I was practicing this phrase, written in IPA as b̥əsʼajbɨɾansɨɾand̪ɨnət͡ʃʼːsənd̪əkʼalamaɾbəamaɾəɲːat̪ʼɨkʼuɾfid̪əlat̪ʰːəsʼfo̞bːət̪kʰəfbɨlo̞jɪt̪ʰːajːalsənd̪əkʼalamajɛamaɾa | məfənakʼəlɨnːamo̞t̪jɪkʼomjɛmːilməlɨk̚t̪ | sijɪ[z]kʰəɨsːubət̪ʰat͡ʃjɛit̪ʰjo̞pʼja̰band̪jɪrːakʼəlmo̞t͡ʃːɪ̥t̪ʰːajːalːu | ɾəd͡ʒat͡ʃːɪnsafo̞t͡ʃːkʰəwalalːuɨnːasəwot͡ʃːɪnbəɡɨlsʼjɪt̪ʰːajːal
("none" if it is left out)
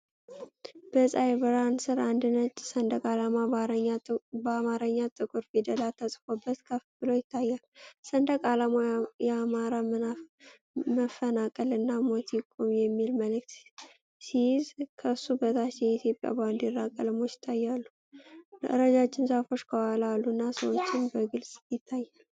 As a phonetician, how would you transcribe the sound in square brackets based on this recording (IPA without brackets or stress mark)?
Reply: z